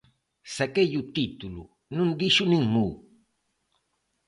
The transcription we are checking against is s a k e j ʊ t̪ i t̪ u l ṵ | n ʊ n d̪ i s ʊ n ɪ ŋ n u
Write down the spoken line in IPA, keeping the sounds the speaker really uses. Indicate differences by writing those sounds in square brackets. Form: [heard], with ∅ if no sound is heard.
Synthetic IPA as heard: s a k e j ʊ t̪ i t̪ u l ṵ | n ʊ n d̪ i [ʃ] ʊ n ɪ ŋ [m] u